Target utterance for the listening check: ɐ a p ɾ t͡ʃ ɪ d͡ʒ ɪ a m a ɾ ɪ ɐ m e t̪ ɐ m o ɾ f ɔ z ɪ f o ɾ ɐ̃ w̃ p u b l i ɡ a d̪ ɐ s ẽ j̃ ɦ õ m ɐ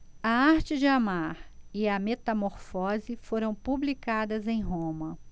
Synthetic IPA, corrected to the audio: ɐ a ɾ t͡ʃ ɪ d͡ʒ ɪ a m a ɾ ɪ ɐ m e t̪ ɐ m o ɾ f ɔ z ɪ f o ɾ ɐ̃ w̃ p u b l i k a d̪ ɐ z ẽ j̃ ɦ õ m ɐ